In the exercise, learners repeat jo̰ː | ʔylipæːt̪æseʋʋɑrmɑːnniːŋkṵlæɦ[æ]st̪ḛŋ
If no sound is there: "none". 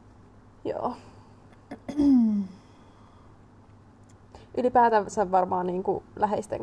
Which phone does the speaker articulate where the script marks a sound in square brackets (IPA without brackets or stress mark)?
e